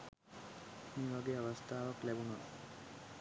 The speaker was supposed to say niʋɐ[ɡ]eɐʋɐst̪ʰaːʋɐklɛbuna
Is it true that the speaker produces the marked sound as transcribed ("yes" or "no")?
yes